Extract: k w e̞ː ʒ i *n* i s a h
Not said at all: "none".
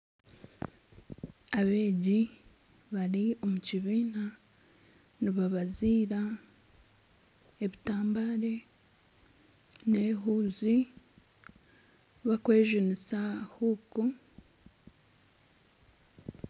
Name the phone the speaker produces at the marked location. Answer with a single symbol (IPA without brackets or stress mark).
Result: n